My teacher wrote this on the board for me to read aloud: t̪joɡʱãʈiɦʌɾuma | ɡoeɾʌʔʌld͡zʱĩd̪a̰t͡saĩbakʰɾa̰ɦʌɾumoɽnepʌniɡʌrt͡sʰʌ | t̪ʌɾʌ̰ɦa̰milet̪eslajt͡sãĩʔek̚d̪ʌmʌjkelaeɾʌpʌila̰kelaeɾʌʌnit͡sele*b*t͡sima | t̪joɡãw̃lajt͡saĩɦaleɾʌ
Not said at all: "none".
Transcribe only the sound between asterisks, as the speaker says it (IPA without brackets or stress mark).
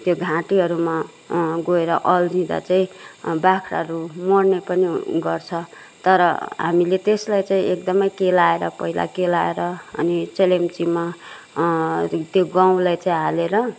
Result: m